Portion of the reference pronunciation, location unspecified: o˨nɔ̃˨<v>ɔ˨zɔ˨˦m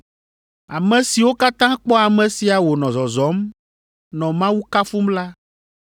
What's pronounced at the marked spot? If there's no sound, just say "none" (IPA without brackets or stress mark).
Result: z